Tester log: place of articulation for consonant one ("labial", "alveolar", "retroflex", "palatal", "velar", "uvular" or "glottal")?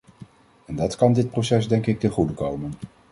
alveolar